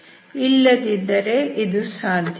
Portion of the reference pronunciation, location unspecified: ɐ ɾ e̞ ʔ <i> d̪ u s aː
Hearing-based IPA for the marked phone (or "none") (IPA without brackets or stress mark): i